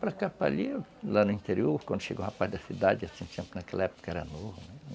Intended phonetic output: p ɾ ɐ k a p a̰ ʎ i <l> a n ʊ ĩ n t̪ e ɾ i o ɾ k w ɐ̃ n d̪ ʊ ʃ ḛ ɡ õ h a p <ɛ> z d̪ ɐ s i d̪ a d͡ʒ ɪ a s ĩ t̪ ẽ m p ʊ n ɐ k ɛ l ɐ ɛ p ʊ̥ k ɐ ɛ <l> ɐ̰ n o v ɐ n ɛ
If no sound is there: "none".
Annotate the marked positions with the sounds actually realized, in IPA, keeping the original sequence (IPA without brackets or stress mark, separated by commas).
l, a, ɾ